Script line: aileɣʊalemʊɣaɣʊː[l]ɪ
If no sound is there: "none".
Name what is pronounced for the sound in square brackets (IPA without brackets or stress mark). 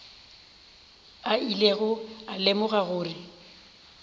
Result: r